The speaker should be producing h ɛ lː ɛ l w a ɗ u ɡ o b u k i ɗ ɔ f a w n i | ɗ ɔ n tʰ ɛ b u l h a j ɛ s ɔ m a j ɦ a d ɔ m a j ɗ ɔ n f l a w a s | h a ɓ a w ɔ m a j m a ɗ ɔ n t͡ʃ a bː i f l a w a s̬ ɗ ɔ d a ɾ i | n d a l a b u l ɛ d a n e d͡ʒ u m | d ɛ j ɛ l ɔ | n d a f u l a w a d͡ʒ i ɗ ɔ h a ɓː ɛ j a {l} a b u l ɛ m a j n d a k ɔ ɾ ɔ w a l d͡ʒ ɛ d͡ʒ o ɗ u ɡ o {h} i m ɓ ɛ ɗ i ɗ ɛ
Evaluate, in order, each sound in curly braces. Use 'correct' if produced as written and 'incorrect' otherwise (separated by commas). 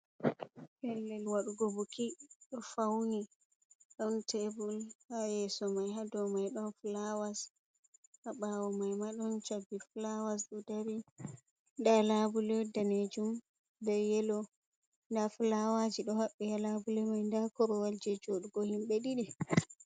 correct, correct